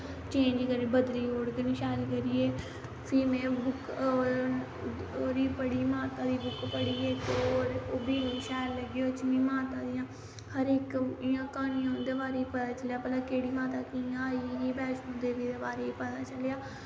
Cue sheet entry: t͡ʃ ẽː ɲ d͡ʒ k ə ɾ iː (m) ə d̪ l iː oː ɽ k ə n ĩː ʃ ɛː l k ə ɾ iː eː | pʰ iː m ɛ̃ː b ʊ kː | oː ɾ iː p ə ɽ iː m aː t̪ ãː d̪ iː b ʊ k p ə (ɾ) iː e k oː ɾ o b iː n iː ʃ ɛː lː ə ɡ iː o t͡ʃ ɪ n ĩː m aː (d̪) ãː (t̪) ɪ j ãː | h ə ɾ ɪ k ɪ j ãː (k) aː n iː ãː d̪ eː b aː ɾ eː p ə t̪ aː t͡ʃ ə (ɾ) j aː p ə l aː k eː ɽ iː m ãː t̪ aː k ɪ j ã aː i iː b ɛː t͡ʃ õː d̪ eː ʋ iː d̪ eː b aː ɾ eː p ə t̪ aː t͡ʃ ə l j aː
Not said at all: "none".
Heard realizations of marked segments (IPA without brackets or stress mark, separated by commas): b, ɽ, t̪, d̪, k, l